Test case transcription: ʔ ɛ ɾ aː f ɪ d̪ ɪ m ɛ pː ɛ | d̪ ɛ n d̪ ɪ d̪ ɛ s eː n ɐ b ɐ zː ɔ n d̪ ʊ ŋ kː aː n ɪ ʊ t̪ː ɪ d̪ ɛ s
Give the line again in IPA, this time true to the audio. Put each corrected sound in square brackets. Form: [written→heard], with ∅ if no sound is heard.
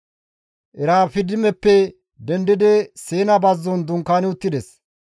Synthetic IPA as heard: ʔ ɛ ɾ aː f ɪ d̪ ɪ m ɛ pː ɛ | d̪ ɛ n d̪ ɪ d̪ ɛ s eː n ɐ b ɐ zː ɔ n d̪ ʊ ŋ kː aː n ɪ ʊ t̪ː ɪ d̪ ɛ s